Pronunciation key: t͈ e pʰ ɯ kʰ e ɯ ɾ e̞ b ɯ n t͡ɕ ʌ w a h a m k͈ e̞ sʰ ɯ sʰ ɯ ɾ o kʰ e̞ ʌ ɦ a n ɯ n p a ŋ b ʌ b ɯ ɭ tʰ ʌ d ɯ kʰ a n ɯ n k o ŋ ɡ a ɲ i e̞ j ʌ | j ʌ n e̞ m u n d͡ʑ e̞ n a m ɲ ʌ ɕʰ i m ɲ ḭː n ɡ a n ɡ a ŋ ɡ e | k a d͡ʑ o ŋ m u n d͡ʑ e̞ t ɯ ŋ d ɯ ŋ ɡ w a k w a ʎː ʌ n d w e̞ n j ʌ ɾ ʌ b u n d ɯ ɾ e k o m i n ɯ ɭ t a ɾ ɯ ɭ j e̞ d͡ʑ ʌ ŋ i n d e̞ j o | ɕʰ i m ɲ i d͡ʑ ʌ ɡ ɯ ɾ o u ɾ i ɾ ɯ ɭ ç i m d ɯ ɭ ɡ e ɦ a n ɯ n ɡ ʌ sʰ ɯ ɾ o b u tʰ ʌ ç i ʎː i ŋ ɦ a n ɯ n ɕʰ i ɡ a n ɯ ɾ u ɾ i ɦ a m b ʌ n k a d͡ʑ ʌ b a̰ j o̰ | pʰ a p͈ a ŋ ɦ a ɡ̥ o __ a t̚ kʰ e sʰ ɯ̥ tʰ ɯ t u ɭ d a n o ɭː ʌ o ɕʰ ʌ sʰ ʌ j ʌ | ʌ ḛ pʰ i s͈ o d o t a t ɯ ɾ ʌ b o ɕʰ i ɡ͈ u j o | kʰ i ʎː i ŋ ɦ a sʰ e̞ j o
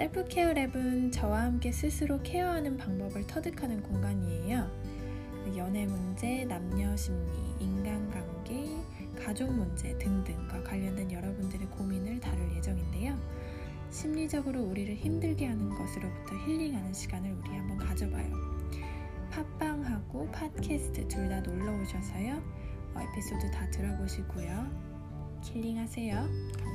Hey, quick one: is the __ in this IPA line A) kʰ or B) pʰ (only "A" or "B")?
B